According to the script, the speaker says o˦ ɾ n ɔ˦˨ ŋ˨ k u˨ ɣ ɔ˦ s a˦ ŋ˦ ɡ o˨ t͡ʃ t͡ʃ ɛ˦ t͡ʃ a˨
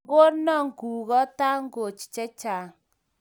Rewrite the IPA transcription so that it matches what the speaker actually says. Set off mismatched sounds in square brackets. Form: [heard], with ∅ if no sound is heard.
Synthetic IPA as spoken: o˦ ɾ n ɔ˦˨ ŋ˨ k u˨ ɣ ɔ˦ [t] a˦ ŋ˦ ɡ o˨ t͡ʃ t͡ʃ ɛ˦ t͡ʃ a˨